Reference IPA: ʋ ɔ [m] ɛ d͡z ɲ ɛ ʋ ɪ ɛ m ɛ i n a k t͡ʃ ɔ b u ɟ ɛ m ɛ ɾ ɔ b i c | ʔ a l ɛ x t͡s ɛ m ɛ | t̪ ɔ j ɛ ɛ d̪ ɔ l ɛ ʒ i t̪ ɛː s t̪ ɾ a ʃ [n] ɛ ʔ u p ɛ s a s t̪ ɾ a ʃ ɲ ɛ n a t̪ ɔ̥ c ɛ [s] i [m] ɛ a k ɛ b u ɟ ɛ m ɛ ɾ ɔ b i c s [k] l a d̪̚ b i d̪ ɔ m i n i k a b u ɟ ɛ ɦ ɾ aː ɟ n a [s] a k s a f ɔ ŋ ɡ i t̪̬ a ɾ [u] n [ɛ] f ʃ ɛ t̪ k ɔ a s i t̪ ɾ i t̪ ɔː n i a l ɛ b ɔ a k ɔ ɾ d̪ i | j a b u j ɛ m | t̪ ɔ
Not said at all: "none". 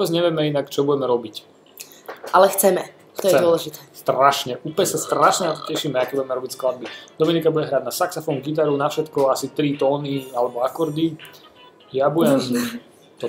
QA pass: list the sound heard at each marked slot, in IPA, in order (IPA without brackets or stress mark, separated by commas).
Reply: b, ɲ, ʃ, m, k, s, u, a